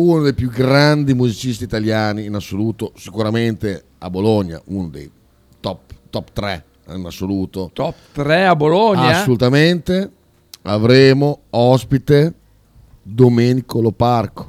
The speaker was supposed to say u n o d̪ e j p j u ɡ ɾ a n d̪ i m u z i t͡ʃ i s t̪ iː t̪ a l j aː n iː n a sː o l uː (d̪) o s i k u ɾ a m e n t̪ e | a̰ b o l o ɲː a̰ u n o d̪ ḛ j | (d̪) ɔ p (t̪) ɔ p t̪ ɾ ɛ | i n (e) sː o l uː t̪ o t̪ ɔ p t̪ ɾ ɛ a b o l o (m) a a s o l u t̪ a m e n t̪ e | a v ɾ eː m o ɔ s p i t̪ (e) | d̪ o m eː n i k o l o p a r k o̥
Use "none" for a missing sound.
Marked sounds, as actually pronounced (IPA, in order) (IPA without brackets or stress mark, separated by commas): t̪, t̪, t̪, a, ɲ, e